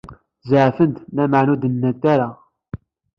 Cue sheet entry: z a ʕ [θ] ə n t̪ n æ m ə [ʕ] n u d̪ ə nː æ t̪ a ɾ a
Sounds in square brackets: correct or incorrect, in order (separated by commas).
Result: incorrect, correct